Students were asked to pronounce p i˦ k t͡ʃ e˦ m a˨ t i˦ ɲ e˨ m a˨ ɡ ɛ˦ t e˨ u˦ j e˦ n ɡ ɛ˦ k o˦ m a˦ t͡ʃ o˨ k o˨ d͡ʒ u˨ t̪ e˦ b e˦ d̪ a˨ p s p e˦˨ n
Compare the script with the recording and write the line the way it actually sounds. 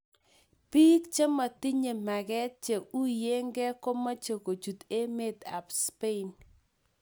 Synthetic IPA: p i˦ k t͡ʃ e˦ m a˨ t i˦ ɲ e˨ m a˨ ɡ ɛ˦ t͡ʃ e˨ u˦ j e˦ ŋ ɡ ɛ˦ k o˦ m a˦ t͡ʃ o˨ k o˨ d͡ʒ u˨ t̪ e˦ m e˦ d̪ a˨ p s p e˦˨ n

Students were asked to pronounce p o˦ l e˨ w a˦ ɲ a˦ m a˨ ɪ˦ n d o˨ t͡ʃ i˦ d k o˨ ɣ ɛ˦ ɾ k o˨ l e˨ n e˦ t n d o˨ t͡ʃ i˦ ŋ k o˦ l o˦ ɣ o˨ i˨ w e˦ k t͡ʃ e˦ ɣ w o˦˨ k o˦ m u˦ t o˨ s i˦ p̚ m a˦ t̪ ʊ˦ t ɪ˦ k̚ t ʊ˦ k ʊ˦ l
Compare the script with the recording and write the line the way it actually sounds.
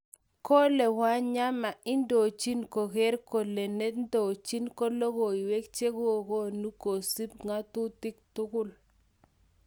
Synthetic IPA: k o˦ l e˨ w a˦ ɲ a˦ m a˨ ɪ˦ n d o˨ t͡ʃ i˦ n k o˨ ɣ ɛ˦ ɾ k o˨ l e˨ n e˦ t n d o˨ t͡ʃ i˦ n k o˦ l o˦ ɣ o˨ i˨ w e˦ k t͡ʃ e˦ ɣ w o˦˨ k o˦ n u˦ k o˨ s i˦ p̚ ŋ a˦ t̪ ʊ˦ t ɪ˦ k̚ t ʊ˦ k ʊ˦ l

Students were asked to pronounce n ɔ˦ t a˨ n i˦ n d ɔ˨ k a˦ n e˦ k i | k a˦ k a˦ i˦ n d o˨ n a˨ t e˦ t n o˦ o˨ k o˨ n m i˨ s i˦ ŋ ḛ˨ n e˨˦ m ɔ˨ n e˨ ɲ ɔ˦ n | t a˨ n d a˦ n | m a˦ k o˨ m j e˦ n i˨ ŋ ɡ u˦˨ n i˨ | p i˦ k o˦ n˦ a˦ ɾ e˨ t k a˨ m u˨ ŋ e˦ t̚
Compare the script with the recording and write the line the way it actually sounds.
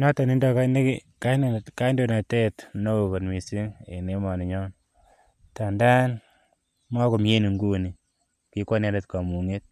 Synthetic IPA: n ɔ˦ t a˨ n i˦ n d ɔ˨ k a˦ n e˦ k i | k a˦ k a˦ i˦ n d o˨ n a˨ t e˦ t n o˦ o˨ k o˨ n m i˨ s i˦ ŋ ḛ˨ n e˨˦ m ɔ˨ n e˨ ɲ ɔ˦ n | t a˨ n d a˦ n | m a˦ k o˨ m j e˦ n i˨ ŋ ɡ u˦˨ n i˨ | k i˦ k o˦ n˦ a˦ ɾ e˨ t k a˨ m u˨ ŋ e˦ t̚

